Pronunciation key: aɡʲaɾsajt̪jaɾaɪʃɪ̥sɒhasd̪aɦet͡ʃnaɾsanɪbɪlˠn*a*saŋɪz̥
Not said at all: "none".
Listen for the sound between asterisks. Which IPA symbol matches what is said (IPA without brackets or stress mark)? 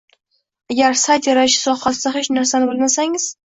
a